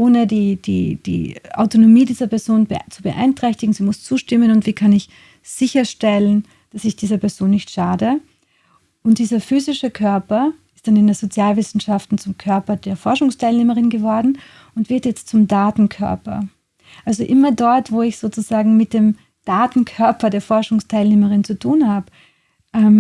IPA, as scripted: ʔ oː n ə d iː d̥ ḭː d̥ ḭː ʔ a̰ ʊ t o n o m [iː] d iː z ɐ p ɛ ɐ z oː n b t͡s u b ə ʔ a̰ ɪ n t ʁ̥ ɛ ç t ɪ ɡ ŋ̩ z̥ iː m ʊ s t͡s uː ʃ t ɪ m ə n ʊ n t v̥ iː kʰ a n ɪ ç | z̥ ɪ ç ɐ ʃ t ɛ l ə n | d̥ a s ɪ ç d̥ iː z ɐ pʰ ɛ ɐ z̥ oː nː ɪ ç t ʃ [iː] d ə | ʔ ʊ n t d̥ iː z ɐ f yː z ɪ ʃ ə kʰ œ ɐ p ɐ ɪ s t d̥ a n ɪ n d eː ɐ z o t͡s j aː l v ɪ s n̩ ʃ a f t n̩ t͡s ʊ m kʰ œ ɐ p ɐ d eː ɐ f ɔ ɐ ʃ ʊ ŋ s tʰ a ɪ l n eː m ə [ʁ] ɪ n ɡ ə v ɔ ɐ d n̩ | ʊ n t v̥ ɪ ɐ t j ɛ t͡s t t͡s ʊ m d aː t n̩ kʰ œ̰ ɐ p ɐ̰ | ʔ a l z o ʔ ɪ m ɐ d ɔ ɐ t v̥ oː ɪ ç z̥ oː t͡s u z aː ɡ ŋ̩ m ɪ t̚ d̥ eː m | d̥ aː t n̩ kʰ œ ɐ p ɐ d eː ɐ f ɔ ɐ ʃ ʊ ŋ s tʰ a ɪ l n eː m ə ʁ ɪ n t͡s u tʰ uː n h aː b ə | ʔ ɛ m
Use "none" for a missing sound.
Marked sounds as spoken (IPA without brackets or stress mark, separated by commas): iː, aː, ʁ